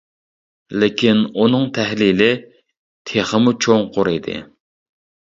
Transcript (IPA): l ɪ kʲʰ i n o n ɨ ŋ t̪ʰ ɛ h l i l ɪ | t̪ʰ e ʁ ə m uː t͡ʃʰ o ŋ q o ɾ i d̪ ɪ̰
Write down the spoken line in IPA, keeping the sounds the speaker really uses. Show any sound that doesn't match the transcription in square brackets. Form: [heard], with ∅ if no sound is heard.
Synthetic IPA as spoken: l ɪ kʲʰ i n [u] n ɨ ŋ t̪ʰ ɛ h l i l ɪ | t̪ʰ e [χ] ə m [u] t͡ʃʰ o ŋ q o ɾ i d̪ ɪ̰